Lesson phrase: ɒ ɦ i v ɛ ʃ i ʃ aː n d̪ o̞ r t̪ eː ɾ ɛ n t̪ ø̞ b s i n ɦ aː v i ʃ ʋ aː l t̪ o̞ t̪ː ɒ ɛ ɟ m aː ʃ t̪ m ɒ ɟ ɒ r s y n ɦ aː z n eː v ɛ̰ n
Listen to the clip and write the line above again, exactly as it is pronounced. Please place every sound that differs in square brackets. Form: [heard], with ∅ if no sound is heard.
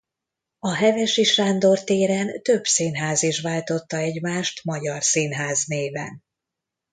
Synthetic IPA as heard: ɒ ɦ [ɛ] v ɛ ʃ i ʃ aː n d̪ o̞ r t̪ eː ɾ ɛ n t̪ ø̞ b s i n ɦ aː [z] i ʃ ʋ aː l t̪ o̞ t̪ː ɒ ɛ ɟ m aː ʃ t̪ m ɒ ɟ ɒ r s [i] n ɦ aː z n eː v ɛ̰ n